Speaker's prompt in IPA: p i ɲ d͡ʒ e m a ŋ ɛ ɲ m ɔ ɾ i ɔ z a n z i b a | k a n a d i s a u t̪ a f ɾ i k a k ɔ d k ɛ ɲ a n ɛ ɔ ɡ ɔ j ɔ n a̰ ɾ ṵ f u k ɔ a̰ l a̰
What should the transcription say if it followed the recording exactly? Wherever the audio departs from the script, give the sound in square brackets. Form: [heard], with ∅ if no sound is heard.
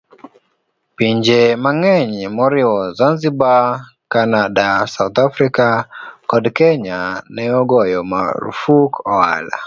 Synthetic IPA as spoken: p i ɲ d͡ʒ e m a ŋ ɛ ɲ m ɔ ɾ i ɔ z a n z i b a | k a n a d [a] s a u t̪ a f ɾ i k a k ɔ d k ɛ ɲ a n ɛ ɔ ɡ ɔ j ɔ [m] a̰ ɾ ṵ f u k ɔ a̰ l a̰